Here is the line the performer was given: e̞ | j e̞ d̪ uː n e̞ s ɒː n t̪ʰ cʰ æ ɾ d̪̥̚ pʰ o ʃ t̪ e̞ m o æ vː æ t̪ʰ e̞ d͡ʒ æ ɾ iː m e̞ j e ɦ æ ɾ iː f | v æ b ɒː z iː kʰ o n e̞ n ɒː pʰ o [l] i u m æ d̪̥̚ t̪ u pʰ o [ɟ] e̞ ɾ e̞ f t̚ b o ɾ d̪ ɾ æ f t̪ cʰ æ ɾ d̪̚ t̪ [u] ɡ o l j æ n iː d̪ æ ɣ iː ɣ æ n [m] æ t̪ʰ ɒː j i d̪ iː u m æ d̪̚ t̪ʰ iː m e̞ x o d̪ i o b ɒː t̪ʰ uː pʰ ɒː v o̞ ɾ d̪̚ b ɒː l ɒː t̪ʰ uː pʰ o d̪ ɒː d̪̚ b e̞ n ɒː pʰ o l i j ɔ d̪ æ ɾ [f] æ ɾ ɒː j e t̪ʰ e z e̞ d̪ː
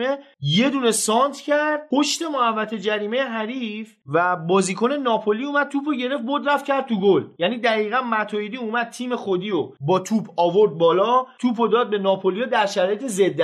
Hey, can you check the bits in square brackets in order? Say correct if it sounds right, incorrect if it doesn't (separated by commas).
correct, correct, correct, correct, incorrect